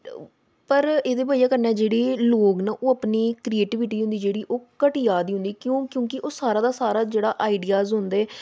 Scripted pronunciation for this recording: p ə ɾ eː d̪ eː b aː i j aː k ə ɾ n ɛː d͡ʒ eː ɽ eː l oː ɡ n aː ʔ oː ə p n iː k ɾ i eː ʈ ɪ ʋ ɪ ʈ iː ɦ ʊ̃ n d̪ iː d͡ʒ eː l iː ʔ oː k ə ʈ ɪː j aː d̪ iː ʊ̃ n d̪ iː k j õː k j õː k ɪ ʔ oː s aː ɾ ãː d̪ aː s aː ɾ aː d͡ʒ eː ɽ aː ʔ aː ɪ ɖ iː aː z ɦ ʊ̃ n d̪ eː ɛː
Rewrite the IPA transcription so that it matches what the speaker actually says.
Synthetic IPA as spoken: p ə ɾ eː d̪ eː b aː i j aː k ə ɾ n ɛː d͡ʒ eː ɽ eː l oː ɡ n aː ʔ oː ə p n iː k ɾ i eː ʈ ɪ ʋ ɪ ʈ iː ɦ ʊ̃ n d̪ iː d͡ʒ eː ɽ iː ʔ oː k ə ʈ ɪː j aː d̪ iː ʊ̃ n d̪ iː k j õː k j õː k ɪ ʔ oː s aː ɾ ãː d̪ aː s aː ɾ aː d͡ʒ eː ɽ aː ʔ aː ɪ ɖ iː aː z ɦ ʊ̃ n d̪ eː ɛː